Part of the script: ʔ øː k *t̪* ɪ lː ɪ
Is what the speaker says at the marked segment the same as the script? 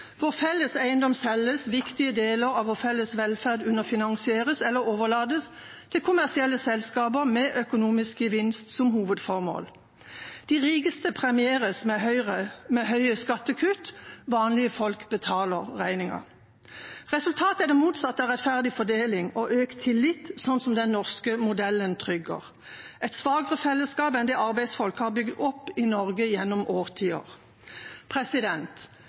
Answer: no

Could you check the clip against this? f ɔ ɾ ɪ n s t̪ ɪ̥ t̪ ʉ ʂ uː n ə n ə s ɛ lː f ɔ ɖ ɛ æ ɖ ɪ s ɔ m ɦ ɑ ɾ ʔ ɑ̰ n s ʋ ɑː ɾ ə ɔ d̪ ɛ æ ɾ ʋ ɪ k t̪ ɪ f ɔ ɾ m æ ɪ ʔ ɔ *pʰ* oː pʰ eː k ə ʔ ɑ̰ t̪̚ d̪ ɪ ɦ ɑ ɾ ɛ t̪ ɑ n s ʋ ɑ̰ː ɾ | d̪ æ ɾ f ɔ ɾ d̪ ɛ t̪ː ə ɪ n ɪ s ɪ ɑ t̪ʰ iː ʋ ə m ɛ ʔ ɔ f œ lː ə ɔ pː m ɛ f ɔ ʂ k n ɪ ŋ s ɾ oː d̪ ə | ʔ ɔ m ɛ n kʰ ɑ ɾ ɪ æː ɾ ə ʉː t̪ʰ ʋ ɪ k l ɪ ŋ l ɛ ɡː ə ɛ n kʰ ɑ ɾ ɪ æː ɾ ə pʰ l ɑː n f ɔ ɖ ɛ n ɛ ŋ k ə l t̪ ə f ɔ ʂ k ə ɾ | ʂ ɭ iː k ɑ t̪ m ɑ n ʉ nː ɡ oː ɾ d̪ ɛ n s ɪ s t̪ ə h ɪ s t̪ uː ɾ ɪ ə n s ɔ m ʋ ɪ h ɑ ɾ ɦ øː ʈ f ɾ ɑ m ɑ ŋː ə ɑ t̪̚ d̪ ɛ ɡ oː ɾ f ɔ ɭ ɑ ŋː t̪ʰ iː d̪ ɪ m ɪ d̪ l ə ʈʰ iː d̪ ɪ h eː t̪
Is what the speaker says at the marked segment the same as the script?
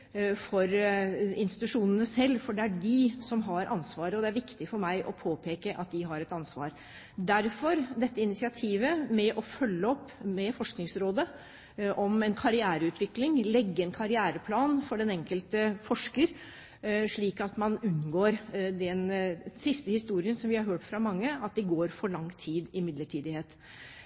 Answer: yes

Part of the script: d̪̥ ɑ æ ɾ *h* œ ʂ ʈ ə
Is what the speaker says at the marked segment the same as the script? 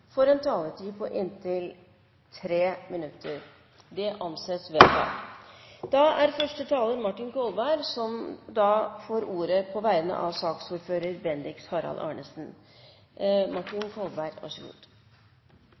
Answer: no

